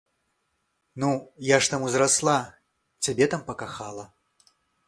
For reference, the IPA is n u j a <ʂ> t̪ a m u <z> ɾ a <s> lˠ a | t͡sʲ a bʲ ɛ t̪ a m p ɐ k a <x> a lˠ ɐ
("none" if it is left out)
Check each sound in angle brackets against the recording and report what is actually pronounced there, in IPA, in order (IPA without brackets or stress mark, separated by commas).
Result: ʂ, z, s, x